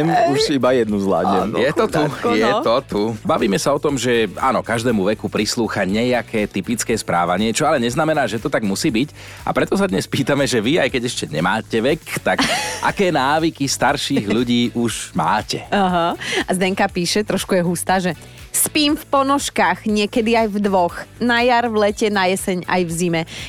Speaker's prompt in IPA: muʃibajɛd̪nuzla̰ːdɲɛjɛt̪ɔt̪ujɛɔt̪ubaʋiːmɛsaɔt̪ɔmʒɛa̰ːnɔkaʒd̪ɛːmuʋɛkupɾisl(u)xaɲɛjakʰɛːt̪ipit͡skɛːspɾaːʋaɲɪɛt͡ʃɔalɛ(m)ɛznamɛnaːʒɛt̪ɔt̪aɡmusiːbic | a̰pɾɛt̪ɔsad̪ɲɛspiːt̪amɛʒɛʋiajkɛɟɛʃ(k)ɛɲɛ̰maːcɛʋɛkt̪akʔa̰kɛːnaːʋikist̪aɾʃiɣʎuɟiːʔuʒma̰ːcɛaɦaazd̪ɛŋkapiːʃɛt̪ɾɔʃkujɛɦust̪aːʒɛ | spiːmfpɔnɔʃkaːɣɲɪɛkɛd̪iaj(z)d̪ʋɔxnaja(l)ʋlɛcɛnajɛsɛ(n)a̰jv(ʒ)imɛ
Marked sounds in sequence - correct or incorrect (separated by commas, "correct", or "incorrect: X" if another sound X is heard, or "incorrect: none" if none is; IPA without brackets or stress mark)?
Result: incorrect: uː, incorrect: ɲ, incorrect: c, incorrect: v, incorrect: ɾ, incorrect: ɲ, incorrect: z